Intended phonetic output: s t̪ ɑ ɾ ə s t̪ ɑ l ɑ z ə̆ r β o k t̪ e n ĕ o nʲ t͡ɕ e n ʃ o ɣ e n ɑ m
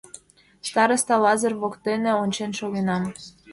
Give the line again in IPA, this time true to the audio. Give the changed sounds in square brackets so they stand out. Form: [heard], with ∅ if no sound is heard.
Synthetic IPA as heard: s t̪ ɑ ɾ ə s t̪ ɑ l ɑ z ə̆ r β o k t̪ e n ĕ o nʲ t͡ɕ e n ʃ o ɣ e n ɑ m